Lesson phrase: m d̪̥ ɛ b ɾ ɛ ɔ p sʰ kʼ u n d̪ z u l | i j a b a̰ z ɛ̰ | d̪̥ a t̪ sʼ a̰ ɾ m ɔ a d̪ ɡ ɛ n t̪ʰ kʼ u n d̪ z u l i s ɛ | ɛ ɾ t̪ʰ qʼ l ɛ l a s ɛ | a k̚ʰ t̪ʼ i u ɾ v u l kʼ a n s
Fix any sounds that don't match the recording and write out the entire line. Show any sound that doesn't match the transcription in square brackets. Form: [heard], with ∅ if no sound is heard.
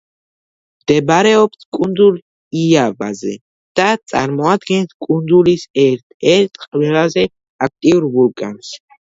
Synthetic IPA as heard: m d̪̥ ɛ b ɾ ɛ ɔ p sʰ kʼ u n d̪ z u l | i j a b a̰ z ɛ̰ | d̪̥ a t̪ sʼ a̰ ɾ m ɔ a d̪ ɡ ɛ n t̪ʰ kʼ u n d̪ z u l i s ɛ | ɛ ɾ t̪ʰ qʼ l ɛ l a [z] ɛ | a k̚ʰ t̪ʼ i u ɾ v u l kʼ a n s

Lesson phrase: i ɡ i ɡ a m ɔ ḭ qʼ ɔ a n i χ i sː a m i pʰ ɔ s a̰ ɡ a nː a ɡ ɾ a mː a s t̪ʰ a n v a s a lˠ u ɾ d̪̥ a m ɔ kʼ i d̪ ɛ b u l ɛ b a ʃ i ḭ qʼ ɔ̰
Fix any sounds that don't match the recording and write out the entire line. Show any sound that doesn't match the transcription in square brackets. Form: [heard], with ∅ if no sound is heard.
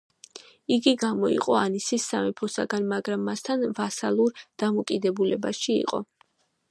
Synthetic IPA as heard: i ɡ i ɡ a m ɔ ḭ qʼ ɔ a n i [s] i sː a m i pʰ ɔ s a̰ ɡ a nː a ɡ ɾ a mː a s t̪ʰ a n v a s a lˠ u ɾ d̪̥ a m ɔ kʼ i d̪ ɛ b u l ɛ b a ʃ i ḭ qʼ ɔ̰

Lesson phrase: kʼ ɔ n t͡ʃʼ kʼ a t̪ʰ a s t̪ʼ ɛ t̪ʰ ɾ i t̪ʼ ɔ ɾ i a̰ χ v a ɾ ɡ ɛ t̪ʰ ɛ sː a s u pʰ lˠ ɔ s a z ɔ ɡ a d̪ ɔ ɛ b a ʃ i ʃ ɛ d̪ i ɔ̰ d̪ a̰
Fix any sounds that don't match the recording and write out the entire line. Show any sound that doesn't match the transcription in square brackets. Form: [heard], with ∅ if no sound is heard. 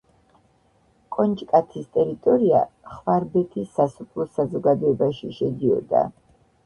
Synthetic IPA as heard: kʼ ɔ n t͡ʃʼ kʼ a t̪ʰ [i] s t̪ʼ ɛ [∅] ɾ i t̪ʼ ɔ ɾ i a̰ χ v a ɾ [b] ɛ t̪ʰ [i] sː a s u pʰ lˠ ɔ s a z ɔ ɡ a d̪ ɔ ɛ b a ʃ i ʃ ɛ d̪ i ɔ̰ d̪ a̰

